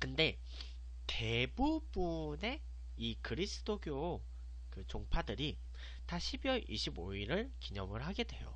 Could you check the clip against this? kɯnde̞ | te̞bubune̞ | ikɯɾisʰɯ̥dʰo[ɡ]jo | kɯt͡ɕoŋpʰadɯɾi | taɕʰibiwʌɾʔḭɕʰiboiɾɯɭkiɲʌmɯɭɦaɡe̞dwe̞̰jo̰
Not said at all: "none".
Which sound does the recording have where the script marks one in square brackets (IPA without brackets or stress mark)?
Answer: ɡ